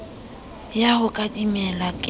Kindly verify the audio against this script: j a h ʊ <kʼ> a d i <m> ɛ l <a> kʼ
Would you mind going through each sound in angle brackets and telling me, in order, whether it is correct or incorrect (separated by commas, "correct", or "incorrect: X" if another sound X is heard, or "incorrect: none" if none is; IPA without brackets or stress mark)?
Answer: correct, correct, correct